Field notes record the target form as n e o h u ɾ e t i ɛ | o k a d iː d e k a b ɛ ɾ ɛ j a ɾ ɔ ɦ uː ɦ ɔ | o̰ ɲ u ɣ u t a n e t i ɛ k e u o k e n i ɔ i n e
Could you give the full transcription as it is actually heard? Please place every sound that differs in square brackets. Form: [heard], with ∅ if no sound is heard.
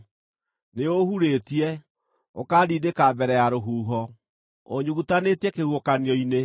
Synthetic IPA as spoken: n e o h u ɾ e t i ɛ | o k a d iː d e k a b ɛ ɾ ɛ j a ɾ [o] ɦ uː ɦ ɔ | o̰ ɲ u ɣ u t a n e t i ɛ k e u o k [a] n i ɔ i n e